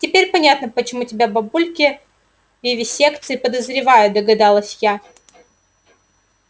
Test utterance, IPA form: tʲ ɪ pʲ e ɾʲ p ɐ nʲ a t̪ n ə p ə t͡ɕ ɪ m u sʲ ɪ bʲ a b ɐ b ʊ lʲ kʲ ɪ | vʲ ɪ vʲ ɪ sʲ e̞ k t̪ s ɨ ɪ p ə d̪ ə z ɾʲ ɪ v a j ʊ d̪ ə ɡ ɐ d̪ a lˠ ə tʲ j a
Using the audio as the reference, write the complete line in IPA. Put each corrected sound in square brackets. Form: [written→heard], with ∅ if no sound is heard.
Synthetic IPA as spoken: tʲ ɪ pʲ e ɾʲ p ɐ nʲ a t̪ n ə p ə t͡ɕ ɪ m u [sʲ→tʲ] ɪ bʲ a b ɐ b [ʊ→u] lʲ kʲ ɪ | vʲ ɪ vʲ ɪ sʲ e̞ k t̪ s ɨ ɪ p ə d̪ ə z ɾʲ ɪ v a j ʊ d̪ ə ɡ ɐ d̪ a lˠ ə [tʲ→sʲ] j a